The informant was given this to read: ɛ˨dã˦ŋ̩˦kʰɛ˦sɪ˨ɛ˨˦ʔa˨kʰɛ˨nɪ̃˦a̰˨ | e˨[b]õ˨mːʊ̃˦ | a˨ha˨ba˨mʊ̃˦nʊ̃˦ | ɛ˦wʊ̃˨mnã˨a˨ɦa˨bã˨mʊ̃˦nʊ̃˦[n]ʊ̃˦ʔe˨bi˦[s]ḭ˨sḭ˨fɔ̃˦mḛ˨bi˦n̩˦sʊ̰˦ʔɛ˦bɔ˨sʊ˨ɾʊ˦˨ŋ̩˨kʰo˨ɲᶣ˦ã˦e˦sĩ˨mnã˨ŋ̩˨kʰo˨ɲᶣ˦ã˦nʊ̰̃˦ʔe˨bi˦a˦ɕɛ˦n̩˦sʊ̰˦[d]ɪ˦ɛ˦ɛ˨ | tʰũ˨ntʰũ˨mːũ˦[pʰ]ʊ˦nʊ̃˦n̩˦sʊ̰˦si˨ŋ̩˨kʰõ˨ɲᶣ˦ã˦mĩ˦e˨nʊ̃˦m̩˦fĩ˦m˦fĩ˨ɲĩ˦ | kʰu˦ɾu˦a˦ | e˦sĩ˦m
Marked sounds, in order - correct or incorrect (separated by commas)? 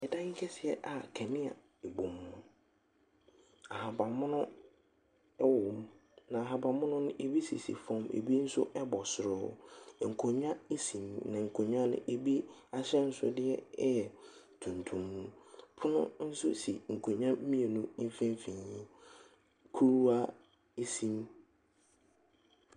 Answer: correct, correct, correct, correct, correct